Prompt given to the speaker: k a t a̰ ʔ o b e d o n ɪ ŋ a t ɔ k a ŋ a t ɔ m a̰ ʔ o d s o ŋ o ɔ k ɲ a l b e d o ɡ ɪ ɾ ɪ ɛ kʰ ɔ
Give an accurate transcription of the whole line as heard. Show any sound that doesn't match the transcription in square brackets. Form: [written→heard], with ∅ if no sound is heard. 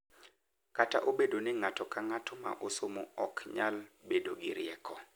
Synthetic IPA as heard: k a t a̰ ʔ o b e d o n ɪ ŋ a t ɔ k a ŋ a t ɔ m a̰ ʔ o [d→∅] s o [ŋ→m] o ɔ k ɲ a l b e d o ɡ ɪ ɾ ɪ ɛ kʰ ɔ